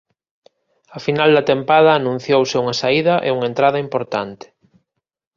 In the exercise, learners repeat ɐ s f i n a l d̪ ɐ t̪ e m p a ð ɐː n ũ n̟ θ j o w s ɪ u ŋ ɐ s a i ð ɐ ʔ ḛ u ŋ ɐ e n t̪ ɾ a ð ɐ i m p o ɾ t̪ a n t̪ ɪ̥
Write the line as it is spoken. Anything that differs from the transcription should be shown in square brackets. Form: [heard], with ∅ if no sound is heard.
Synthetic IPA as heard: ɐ [∅] f i n a l d̪ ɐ t̪ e m p a ð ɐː n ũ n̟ θ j o w s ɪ u ŋ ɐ s a i ð ɐ ʔ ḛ u ŋ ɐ e n t̪ ɾ a ð ɐ i m p o ɾ t̪ a n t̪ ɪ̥